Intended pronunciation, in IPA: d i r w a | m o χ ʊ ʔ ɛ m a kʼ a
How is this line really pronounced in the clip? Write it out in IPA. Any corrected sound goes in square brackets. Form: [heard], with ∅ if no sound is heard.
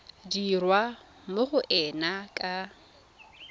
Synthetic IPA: d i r w a | m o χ ʊ ʔ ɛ [n] a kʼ a